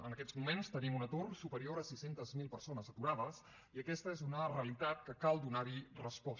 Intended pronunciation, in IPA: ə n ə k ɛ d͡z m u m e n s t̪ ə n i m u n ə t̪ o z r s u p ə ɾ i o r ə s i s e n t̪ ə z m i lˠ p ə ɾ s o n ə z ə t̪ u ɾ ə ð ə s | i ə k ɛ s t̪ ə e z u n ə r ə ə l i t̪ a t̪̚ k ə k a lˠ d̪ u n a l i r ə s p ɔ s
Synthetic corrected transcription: ə n ə k ɛ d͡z m u m e n s t̪ ə n i m u n ə t̪ o r s u p ə ɾ i o ɾ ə s i s e n t̪ ə z m i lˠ p ə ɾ s o n ə z ə t̪ u ɾ a ð ə s | i ə k ɛ s t̪ ə e z u n ə r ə ə l i t̪ a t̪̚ k ə k a lˠ d̪ u n a ɾ i r ə s p ɔ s